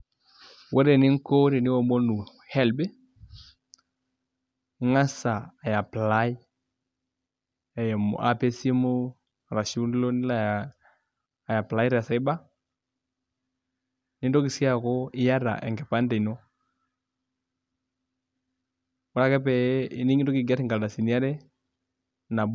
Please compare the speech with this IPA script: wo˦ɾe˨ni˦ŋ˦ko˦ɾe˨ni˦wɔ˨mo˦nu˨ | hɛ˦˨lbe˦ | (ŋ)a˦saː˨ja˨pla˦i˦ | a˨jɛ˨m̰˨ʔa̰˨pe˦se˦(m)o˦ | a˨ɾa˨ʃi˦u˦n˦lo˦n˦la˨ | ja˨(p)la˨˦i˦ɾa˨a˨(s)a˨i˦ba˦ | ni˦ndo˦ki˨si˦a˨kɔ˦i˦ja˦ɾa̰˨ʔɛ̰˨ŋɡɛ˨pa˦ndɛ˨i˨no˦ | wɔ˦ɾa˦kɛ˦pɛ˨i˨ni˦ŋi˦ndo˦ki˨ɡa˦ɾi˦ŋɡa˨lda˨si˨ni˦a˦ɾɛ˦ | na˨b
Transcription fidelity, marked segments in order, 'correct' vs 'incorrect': correct, correct, correct, correct

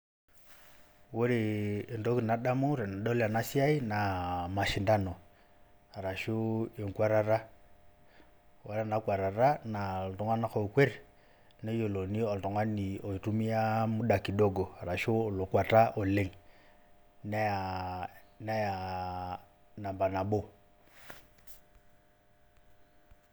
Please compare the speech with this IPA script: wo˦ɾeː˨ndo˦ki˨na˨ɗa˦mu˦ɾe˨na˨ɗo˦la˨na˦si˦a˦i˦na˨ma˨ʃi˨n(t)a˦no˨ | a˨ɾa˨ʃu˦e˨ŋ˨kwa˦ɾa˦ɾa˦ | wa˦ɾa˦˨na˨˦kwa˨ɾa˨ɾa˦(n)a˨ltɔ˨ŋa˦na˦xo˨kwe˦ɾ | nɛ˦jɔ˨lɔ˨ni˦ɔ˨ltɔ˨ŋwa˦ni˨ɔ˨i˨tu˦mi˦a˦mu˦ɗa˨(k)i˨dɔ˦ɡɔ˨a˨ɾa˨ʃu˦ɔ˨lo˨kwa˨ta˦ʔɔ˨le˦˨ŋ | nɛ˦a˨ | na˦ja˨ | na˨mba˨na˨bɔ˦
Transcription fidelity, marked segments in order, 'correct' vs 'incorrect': incorrect, correct, correct

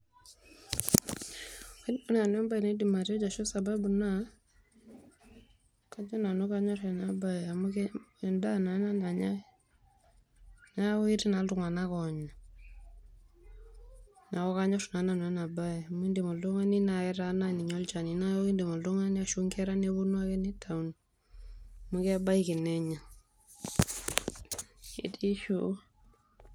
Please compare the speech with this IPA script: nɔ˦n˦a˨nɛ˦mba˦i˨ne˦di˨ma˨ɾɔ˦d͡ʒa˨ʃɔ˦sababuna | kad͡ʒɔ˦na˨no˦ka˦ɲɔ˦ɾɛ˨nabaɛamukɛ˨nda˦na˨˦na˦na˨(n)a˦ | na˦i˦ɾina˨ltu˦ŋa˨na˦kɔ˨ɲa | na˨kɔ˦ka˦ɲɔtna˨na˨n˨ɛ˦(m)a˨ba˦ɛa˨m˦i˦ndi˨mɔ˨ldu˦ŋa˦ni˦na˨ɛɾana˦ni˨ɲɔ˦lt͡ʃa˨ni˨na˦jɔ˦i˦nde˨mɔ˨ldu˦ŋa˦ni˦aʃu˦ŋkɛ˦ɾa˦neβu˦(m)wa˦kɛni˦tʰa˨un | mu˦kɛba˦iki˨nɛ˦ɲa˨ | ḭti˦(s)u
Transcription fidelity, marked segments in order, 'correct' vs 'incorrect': incorrect, incorrect, incorrect, incorrect

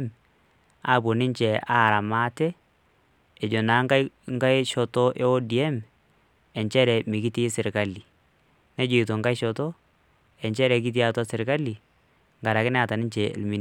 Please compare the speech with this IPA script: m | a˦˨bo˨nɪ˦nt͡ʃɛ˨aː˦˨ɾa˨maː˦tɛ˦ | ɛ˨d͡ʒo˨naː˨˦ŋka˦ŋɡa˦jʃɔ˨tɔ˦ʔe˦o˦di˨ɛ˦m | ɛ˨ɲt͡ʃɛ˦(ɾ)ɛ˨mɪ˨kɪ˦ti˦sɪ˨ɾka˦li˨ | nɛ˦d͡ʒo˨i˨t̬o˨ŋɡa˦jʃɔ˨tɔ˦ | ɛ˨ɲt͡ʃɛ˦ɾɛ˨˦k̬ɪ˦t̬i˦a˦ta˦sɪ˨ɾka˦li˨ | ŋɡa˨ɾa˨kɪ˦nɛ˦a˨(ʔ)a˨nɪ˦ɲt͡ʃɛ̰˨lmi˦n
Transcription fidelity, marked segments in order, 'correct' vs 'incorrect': correct, incorrect

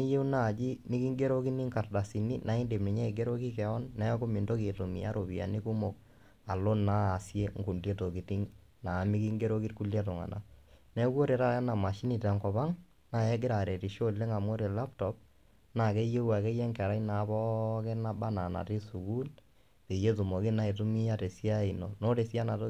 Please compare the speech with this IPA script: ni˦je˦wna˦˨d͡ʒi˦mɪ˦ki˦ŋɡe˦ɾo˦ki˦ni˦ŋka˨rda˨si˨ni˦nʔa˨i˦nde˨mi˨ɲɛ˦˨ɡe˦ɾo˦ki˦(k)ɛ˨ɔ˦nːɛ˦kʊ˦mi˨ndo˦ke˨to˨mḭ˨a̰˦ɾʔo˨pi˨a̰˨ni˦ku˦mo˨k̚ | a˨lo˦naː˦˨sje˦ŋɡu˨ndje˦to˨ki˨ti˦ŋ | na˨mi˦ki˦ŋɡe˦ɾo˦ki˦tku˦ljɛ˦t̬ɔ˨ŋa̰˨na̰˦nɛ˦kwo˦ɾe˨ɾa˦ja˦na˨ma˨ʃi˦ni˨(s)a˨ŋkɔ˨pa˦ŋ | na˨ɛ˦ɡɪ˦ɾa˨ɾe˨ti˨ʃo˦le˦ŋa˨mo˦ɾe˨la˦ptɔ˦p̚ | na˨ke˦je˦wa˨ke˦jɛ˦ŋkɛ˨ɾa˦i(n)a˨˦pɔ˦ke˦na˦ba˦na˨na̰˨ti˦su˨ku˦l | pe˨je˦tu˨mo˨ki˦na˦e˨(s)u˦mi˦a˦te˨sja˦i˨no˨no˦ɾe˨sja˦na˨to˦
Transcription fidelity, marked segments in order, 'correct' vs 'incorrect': correct, incorrect, correct, incorrect

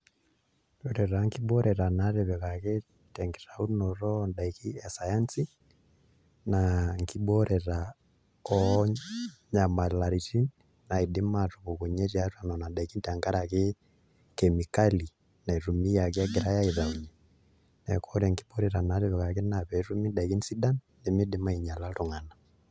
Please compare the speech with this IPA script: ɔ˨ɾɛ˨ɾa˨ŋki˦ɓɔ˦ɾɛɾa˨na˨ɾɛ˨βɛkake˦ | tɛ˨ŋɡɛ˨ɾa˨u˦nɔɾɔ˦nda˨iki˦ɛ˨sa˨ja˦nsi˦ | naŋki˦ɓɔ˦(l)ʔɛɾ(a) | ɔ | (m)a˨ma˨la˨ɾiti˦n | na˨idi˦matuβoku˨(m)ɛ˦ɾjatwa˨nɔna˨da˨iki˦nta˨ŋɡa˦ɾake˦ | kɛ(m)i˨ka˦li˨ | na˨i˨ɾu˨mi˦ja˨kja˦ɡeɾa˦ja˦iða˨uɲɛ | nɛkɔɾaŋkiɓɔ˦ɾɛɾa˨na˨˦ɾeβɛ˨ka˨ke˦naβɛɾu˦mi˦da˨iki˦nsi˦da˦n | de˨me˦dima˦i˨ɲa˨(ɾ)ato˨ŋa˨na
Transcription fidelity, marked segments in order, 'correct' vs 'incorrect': incorrect, correct, incorrect, incorrect, correct, incorrect

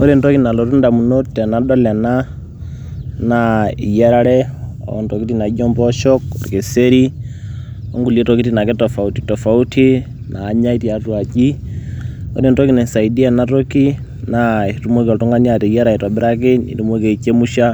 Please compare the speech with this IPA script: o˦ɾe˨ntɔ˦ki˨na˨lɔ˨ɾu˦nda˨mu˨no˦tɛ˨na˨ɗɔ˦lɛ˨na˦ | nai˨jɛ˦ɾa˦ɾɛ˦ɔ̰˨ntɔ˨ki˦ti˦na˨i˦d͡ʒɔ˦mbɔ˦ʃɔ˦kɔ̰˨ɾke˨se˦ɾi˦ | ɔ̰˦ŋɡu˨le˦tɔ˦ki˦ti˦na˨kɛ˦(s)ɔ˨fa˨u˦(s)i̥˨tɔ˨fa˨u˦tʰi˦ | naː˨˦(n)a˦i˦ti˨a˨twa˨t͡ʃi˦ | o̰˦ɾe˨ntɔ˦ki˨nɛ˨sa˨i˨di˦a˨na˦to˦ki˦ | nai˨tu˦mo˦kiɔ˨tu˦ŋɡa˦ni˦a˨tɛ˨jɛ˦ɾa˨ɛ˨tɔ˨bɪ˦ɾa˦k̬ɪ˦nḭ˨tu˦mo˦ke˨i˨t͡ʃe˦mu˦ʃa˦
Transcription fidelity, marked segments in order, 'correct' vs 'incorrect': incorrect, incorrect, incorrect

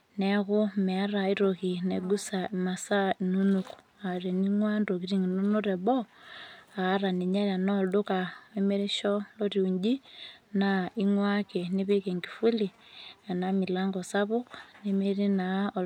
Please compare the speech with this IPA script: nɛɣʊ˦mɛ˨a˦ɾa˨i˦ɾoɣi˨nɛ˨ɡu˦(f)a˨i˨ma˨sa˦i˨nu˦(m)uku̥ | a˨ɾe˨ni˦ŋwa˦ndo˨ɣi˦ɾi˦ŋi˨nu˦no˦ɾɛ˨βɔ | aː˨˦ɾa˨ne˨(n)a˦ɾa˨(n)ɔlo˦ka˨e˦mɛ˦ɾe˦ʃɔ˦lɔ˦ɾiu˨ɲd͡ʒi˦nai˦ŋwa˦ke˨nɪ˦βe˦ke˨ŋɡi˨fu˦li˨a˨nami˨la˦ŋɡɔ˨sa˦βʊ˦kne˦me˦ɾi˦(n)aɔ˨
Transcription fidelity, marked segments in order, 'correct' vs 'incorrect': incorrect, incorrect, incorrect, correct, correct

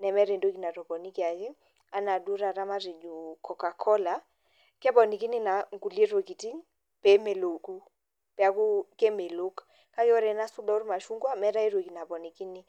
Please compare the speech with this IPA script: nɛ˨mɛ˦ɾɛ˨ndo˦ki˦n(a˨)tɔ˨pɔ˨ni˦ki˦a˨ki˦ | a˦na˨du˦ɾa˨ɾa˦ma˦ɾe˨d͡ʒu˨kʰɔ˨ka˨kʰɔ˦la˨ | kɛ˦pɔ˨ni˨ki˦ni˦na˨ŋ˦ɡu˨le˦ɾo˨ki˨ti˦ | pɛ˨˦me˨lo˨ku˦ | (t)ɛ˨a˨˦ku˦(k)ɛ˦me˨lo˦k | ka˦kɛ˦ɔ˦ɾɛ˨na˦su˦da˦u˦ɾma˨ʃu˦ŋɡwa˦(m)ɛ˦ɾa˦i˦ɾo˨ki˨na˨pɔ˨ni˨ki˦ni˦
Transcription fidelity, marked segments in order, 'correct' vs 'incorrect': correct, incorrect, correct, correct

